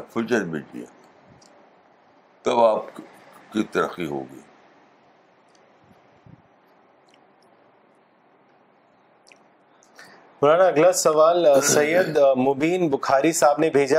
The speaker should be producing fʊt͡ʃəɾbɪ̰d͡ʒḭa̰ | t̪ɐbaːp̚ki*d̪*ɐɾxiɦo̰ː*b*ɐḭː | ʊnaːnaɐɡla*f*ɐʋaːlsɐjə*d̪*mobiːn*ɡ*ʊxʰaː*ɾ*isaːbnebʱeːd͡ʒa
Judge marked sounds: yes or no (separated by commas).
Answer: no, no, no, yes, no, yes